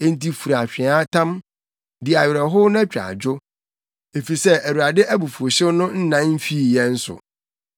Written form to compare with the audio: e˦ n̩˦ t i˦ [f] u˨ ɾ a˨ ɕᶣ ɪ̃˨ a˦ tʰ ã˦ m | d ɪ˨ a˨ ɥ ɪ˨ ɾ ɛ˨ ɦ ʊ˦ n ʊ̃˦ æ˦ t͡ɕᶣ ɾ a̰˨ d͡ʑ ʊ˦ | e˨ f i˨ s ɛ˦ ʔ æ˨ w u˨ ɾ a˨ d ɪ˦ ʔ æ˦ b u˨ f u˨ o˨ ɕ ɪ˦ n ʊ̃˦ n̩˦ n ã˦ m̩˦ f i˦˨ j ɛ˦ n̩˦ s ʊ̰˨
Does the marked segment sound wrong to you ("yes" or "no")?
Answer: no